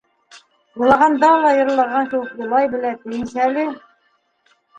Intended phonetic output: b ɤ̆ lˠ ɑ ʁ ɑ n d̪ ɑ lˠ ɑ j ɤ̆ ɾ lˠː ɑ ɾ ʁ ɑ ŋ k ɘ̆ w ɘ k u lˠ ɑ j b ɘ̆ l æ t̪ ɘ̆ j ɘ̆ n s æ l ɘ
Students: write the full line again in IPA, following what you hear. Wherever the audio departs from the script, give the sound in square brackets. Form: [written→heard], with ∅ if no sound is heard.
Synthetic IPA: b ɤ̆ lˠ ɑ ʁ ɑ n d̪ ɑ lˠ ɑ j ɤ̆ ɾ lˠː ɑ ɾ ʁ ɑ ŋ k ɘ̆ w ɘ k u lˠ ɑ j b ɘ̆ l æ t̪ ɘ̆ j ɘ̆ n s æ l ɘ